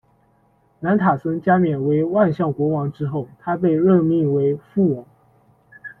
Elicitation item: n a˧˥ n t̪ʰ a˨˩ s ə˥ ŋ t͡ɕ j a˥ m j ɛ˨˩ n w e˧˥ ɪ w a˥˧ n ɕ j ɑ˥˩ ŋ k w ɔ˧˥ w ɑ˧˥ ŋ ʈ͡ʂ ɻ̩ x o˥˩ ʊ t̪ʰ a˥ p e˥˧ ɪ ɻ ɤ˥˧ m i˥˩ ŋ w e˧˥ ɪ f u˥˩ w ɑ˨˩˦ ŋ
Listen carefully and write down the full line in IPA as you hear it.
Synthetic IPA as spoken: n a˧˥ n t̪ʰ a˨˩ s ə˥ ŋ t͡ɕ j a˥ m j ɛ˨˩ n w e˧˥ ɪ w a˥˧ n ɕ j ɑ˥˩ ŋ k w ɔ˧˥ w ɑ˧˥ ŋ ʈ͡ʂ ɻ̩ x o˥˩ ʊ t̪ʰ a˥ p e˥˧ ɪ ɻ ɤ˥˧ m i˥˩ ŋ w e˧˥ ɪ f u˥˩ w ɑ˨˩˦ ŋ